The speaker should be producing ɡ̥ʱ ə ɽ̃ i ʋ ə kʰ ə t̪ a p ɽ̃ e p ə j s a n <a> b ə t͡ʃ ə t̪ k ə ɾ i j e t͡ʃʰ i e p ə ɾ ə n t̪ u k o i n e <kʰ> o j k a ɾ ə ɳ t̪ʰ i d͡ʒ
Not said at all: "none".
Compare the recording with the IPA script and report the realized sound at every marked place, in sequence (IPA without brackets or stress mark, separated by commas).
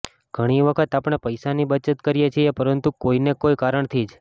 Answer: i, k